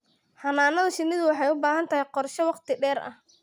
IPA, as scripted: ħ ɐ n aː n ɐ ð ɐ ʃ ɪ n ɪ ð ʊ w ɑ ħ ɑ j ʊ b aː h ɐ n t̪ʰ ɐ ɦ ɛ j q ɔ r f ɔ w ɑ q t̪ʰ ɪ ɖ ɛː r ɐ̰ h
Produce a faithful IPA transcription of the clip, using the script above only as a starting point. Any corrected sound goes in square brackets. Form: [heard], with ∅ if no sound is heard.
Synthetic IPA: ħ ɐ n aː n ɐ ð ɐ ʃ ɪ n ɪ ð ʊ w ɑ ħ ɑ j ʊ b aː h ɐ n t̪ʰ ɐ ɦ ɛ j q ɔ r [ʃ] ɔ w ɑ q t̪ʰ ɪ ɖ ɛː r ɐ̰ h

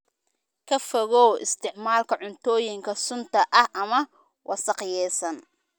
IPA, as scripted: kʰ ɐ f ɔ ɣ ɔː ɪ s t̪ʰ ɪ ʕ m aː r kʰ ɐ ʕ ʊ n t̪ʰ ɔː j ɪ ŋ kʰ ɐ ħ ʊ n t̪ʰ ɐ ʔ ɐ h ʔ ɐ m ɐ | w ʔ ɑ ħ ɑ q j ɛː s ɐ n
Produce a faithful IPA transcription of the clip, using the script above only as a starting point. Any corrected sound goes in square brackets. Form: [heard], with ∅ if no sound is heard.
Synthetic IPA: kʰ ɐ f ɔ ɣ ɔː ɪ s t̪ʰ ɪ ʕ m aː [l] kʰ ɐ ʕ ʊ n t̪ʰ ɔː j ɪ ŋ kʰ ɐ [s] ʊ n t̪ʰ ɐ ʔ ɐ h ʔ ɐ m ɐ | w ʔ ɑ [s] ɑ q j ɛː s ɐ n

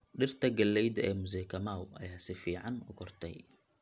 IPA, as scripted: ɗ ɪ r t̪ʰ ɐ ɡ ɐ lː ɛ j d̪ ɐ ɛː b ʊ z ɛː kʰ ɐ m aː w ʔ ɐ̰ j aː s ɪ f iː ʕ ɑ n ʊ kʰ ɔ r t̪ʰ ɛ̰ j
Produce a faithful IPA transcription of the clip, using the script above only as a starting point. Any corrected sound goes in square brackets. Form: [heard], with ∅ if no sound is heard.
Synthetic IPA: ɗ ɪ r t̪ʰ ɐ ɡ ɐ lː ɛ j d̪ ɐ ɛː [m] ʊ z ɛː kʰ ɐ m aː w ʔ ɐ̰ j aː s ɪ f iː ʕ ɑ n ʊ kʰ ɔ r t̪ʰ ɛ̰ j

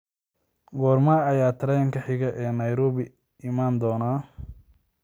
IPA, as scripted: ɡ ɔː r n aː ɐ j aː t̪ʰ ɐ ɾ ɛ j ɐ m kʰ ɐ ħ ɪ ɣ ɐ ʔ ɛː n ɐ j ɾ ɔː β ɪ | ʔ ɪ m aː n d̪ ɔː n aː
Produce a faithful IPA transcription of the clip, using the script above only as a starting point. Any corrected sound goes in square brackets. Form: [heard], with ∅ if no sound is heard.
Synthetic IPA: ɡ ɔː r [m] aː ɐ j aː t̪ʰ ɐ ɾ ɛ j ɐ [ŋ] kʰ ɐ ħ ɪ ɣ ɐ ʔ ɛː n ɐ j ɾ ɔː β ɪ | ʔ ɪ m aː n d̪ ɔː n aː

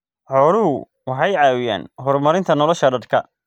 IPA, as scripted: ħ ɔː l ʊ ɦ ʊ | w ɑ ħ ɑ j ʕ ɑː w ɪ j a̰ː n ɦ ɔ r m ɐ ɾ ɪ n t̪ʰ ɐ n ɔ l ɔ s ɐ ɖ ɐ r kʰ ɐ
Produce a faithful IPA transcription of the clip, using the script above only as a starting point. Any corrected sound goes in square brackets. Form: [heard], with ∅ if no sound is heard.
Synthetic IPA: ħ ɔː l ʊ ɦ ʊ | w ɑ ħ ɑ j ʕ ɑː w ɪ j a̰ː n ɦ ɔ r m ɐ ɾ ɪ n t̪ʰ ɐ n ɔ l ɔ [ʃ] ɐ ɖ ɐ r kʰ ɐ

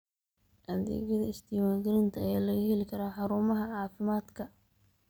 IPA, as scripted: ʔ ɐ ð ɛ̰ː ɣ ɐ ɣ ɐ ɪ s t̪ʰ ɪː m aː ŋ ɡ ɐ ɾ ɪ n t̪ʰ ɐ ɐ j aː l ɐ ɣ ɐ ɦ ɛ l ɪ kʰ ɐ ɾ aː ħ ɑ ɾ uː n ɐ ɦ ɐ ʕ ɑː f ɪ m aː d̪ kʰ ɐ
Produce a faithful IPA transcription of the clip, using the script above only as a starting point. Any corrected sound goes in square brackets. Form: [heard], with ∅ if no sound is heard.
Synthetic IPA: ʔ ɐ ð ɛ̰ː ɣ ɐ [ð] ɐ ɪ s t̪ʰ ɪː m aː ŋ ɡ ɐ ɾ ɪ n t̪ʰ ɐ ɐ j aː l ɐ ɣ ɐ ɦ ɛ l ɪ kʰ ɐ ɾ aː ħ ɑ ɾ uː [m] ɐ ɦ ɐ ʕ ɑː f ɪ m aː d̪ kʰ ɐ

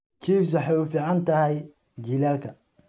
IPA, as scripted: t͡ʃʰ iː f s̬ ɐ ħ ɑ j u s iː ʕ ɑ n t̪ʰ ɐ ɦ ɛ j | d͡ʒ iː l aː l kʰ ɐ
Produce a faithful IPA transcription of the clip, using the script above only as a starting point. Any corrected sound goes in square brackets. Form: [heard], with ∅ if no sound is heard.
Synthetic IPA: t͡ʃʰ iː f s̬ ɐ ħ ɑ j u [f] iː ʕ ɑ n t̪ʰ ɐ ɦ ɛ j | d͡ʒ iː l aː l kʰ ɐ

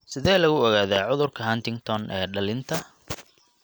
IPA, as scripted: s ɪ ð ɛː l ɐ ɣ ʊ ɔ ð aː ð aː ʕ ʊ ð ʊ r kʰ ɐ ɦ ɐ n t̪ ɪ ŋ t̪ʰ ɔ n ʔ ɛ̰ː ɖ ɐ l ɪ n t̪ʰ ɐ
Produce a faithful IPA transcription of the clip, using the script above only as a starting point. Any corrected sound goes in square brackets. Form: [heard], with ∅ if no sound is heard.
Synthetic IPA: s ɪ ð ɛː l ɐ ɣ ʊ ɔ [ɣ] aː ð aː ʕ ʊ ð ʊ r kʰ ɐ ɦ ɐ n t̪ ɪ ŋ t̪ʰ ɔ n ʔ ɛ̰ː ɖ ɐ l ɪ n t̪ʰ ɐ

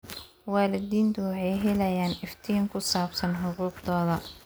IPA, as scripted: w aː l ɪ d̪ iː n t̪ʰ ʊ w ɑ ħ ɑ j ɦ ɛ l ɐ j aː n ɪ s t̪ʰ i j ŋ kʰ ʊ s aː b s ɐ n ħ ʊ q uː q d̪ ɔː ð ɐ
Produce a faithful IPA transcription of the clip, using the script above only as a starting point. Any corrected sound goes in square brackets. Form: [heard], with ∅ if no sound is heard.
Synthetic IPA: w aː l ɪ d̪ iː n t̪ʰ ʊ w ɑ ħ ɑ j ɦ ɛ l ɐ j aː n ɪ [f] t̪ʰ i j ŋ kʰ ʊ s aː b s ɐ n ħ ʊ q uː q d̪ ɔː ð ɐ

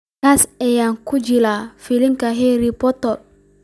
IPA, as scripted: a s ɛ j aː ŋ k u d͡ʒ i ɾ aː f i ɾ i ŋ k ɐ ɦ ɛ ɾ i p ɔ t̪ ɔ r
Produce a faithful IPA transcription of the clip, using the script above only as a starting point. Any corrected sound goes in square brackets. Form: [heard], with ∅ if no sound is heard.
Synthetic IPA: a s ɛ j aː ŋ k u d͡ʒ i [l] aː f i [l] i ŋ k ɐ ɦ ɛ ɾ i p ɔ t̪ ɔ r

